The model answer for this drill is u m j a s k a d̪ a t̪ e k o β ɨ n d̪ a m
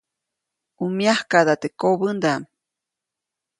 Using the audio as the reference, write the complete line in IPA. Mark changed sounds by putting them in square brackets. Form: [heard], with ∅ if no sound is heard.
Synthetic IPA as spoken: u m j a [h] k a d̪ a t̪ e k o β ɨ n d̪ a m